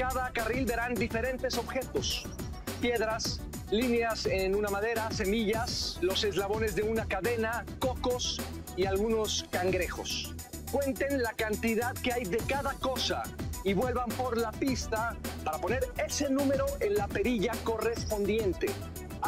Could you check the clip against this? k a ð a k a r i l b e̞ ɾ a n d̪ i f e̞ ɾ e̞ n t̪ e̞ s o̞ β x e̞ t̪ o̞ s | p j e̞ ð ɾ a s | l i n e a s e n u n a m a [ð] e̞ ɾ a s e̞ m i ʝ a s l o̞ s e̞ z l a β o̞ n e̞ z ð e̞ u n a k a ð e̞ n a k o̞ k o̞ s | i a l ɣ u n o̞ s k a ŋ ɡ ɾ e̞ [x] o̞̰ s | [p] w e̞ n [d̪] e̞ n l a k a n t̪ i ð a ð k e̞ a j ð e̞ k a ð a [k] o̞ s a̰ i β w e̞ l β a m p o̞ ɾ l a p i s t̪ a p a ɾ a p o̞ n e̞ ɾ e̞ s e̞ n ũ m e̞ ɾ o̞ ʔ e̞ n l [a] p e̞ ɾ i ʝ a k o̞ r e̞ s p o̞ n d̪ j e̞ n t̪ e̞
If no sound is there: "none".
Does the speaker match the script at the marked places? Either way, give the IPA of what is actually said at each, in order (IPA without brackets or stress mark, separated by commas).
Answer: ð, x, k, t̪, k, a